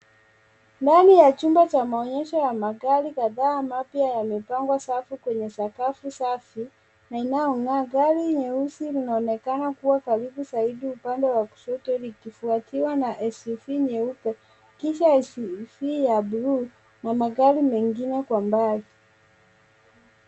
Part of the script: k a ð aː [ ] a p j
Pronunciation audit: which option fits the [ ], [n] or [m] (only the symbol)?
m